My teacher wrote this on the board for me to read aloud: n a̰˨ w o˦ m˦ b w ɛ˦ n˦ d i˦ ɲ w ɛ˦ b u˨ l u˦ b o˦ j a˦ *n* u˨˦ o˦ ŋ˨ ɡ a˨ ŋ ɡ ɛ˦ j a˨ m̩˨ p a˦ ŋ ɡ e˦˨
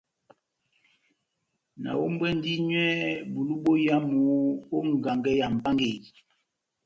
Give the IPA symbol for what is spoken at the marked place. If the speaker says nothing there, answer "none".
m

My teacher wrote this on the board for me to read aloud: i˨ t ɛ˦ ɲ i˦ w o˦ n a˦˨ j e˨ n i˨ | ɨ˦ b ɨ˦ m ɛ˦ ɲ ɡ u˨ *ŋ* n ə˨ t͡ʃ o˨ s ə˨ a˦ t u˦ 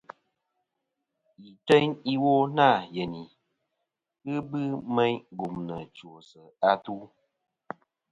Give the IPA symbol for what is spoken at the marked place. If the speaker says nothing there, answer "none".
m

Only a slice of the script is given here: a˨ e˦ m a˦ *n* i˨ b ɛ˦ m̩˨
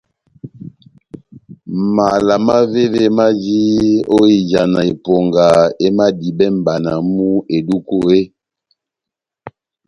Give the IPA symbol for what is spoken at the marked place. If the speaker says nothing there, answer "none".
d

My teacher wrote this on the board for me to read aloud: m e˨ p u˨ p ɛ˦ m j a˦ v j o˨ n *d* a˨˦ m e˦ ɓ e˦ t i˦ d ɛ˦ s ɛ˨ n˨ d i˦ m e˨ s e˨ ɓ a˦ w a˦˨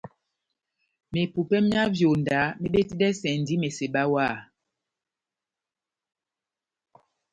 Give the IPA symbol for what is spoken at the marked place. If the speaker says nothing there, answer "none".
d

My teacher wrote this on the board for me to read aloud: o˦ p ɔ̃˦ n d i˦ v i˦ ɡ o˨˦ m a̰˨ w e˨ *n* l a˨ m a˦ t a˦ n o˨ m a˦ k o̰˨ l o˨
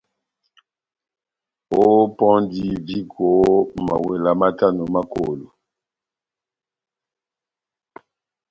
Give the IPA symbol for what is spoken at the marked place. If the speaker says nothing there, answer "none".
none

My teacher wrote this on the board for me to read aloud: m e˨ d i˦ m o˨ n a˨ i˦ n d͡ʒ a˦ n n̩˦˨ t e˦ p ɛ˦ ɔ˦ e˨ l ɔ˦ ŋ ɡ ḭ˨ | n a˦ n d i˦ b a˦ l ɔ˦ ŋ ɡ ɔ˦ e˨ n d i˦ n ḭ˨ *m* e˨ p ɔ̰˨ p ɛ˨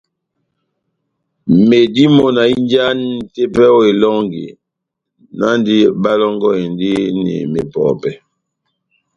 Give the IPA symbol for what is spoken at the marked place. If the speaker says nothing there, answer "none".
m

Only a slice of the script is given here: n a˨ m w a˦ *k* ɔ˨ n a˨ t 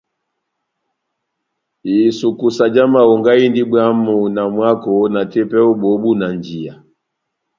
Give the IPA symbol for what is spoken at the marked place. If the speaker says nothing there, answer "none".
k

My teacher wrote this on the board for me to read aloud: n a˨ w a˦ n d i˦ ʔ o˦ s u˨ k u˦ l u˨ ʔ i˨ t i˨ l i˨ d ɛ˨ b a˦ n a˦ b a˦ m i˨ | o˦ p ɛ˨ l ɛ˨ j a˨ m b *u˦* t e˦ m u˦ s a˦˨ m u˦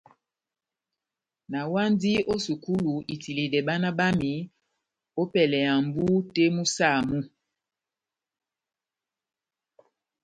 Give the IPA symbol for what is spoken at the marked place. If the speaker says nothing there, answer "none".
u˦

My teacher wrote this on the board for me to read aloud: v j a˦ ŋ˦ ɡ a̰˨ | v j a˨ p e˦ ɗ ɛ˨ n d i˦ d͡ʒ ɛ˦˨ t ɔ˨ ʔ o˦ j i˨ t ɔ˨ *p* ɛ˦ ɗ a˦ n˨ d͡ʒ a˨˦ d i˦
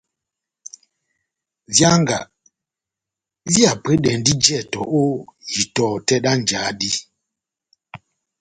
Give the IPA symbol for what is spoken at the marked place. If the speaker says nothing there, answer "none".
t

